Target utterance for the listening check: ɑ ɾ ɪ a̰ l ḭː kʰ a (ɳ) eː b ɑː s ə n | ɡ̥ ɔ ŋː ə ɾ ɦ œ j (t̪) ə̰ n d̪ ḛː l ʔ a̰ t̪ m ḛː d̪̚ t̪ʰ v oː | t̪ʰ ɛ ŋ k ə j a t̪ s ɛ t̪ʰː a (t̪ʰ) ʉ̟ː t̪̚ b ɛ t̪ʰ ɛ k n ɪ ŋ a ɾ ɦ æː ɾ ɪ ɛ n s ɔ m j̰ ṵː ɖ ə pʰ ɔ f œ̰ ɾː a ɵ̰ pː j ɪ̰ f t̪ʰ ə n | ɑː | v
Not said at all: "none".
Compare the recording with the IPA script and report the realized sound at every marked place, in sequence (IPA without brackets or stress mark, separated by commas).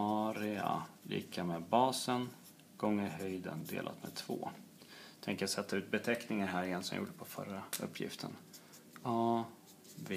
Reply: m, d̪, none